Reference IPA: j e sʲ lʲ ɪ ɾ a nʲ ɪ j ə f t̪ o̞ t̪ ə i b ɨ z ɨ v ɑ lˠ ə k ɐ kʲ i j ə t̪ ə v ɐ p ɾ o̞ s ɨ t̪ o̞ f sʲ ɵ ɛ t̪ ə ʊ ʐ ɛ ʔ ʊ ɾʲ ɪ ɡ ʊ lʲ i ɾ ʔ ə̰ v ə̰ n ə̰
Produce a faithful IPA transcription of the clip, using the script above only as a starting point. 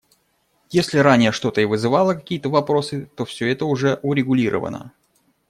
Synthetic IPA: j e sʲ lʲ ɪ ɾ a nʲ ɪ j ə ʂ t̪ o̞ t̪ ə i v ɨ z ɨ v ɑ lˠ ə k ɐ kʲ i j ə t̪ ə v ɐ p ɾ o̞ s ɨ t̪ o̞ f sʲ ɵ ɛ t̪ ə ʊ ʐ ɛ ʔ ʊ ɾʲ ɪ ɡ ʊ lʲ i ɾ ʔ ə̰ v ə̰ n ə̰